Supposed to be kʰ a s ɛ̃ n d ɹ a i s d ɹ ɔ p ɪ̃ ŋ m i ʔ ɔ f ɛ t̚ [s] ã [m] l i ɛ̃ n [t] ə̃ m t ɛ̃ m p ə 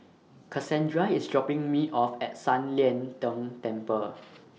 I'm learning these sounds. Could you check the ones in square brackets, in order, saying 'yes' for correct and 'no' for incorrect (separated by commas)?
yes, no, yes